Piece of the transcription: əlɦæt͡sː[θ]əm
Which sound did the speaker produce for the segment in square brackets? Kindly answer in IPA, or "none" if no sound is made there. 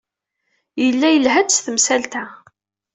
θ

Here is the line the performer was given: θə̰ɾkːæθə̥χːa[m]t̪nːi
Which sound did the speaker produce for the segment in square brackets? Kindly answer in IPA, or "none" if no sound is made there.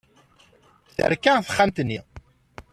m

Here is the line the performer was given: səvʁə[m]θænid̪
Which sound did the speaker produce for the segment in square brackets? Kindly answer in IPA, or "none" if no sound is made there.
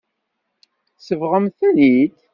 m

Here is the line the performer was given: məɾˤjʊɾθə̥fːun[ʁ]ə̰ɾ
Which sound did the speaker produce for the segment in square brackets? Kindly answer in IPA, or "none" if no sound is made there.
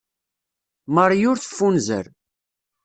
z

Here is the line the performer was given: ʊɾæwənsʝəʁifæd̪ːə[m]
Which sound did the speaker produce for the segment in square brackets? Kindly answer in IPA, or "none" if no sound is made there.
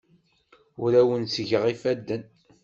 n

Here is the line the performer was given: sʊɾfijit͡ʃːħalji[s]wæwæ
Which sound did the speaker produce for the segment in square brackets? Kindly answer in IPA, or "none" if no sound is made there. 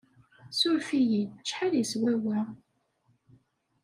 s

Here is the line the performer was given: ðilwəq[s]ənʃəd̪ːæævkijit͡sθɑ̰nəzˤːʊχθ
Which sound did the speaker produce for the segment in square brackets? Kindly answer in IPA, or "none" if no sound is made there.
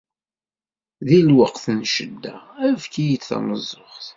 θ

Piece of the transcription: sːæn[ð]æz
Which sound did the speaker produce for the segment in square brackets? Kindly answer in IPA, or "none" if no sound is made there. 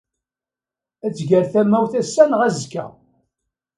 ʁ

